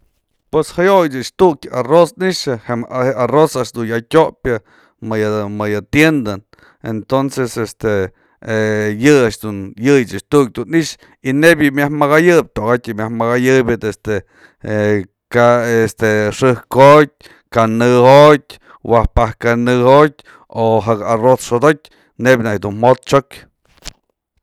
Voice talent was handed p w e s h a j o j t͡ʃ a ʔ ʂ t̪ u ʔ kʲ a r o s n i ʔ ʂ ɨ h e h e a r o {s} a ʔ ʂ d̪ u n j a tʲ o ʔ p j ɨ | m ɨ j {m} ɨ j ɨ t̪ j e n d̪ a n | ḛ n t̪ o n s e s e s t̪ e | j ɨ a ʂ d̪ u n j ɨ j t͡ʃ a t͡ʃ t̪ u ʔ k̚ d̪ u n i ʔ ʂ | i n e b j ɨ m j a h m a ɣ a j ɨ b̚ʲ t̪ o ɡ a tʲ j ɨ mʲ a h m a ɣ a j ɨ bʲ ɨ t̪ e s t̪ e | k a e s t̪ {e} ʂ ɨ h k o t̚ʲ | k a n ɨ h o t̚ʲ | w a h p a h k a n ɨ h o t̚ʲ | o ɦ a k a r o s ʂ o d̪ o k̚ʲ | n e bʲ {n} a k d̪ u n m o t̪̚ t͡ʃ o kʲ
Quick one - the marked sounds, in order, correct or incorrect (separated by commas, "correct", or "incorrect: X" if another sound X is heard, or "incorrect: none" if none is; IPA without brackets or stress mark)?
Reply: correct, correct, correct, correct